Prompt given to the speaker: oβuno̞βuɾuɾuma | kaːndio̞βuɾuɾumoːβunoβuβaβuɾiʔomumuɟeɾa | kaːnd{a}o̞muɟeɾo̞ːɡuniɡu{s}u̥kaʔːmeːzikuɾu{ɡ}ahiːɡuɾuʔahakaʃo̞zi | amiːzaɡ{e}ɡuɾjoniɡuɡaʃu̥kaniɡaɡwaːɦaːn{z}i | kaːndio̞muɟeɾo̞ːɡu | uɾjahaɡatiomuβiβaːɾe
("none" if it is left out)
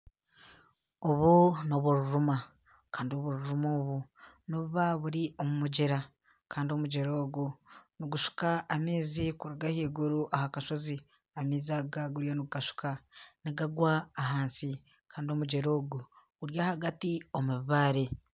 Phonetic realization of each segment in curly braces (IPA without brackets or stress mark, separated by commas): i, ʃ, ɡ, a, s